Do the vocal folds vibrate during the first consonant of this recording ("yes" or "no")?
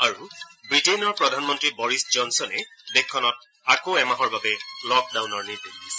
yes